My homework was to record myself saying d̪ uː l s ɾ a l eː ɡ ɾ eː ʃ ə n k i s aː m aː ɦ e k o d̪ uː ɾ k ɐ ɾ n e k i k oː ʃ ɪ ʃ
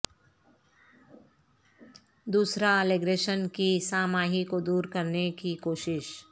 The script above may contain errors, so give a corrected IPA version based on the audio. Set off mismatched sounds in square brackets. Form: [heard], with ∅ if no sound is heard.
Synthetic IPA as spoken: d̪ uː [∅] s ɾ a l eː ɡ ɾ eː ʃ ə n k i s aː m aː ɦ [i] k o d̪ uː ɾ k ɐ ɾ n e k i k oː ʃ ɪ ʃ